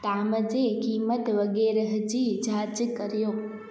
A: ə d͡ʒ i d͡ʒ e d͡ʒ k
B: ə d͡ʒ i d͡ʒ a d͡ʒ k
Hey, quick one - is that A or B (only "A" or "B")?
B